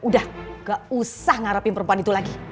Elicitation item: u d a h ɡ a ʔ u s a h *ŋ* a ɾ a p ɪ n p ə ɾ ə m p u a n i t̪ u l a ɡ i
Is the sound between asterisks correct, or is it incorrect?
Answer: correct